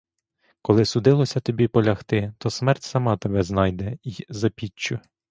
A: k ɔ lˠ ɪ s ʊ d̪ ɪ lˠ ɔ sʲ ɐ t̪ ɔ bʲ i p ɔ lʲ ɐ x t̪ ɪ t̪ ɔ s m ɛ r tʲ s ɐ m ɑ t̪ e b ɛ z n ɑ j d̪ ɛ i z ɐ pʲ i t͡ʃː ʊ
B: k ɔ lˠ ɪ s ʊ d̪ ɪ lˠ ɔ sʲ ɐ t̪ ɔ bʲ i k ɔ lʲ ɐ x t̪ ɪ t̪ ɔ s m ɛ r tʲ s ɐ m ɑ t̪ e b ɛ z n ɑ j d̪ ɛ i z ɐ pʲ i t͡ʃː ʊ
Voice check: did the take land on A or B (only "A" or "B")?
A